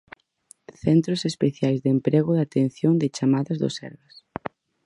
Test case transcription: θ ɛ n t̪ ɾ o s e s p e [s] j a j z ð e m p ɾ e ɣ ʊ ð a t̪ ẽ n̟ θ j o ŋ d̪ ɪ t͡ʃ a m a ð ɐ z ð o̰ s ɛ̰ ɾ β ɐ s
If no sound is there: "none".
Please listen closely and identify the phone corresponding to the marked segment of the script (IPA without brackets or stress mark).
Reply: θ